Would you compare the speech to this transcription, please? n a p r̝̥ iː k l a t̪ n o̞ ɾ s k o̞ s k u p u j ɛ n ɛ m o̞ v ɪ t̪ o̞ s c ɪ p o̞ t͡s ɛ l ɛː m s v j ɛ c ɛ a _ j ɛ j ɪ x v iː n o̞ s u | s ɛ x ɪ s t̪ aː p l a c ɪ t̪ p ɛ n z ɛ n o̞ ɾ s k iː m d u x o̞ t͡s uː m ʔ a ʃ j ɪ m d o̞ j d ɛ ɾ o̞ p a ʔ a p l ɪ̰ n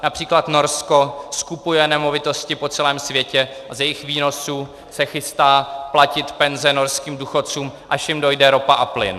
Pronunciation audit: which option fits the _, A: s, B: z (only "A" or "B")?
B